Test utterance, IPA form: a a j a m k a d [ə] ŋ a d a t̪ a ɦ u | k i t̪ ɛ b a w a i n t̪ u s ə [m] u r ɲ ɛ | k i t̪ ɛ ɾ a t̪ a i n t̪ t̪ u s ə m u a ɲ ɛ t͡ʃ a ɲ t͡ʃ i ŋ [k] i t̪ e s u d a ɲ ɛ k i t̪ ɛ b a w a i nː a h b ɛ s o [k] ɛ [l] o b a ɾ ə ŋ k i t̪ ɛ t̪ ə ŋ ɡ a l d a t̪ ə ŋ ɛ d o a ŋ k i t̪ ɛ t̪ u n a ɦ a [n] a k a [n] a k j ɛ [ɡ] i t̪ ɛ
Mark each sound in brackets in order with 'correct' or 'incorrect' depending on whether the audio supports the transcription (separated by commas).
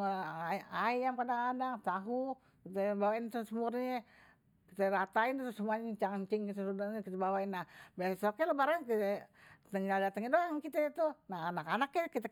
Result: incorrect, correct, correct, correct, correct, correct, correct, incorrect